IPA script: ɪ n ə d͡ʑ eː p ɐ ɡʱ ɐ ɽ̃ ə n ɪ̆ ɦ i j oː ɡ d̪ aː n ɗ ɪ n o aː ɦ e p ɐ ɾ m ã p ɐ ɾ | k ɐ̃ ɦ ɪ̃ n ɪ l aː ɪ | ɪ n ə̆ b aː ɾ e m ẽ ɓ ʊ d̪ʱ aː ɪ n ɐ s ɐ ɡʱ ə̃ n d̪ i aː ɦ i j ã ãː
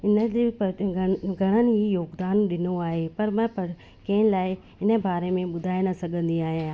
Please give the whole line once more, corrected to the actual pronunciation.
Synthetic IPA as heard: ɪ n ə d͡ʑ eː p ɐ ɡʱ ɐ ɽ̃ ə n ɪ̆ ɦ i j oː ɡ d̪ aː n ɗ ɪ n o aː ɦ e p ɐ ɾ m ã p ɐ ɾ | k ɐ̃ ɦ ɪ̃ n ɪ l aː ɪ | ɪ n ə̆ b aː ɾ e m ẽ ɓ ʊ d̪ʱ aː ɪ n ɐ s ɐ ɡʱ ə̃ n d̪ i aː ɦ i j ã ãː